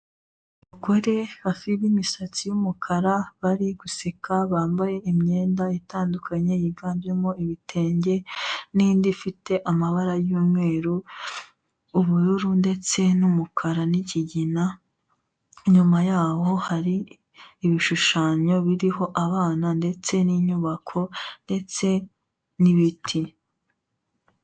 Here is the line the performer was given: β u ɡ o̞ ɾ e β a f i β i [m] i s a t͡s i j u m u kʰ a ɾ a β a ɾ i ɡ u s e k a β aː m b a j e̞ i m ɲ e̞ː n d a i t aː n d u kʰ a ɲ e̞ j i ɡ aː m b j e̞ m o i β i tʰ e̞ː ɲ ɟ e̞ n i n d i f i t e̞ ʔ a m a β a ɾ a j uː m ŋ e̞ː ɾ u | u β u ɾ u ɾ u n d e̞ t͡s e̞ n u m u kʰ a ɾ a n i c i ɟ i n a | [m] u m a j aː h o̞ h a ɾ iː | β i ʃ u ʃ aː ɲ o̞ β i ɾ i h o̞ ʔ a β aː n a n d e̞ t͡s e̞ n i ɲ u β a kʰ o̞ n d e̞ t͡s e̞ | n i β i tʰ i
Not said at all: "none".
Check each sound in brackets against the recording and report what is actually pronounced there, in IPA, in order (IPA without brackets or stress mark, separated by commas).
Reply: m, ɲ